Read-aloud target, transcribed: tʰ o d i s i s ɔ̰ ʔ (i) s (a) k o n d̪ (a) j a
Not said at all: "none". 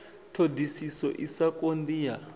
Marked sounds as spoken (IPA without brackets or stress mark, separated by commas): i, a, i